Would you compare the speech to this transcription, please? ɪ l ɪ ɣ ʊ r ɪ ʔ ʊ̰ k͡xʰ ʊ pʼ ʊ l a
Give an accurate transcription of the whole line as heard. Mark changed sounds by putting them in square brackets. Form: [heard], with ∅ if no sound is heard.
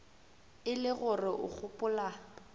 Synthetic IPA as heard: ɪ l ɪ ɣ ʊ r ɪ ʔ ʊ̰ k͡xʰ ʊ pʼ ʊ l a